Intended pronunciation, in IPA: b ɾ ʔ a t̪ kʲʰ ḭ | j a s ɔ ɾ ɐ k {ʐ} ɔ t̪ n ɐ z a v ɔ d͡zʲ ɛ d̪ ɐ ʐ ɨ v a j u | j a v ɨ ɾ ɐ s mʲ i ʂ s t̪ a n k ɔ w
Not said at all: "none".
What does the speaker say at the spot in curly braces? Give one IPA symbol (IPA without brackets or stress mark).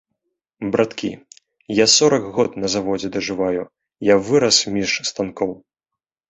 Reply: ɣ